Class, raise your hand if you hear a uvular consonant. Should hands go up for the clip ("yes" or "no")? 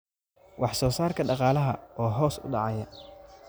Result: yes